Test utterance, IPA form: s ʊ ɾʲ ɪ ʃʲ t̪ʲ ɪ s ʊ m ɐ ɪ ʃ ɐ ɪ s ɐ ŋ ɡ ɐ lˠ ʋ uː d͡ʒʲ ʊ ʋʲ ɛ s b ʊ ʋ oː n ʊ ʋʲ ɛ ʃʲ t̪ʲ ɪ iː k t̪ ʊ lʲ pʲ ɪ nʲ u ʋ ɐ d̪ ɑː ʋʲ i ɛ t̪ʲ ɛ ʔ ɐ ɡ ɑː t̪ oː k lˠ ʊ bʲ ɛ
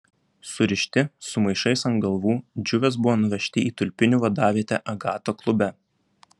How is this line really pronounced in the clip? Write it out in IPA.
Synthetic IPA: s ʊ ɾʲ ɪ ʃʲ t̪ʲ ɪ s ʊ m ɐ ɪ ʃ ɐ ɪ s ɐ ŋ ɡ ɐ lˠ ʋ uː d͡ʒʲ ʊ ʋʲ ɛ s b ʊ ʋ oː n ʊ ʋʲ ɛ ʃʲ t̪ʲ ɪ iː t̪ ʊ lʲ pʲ ɪ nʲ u ʋ ɐ d̪ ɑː ʋʲ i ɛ t̪ʲ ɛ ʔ ɐ ɡ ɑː t̪ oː k lˠ ʊ bʲ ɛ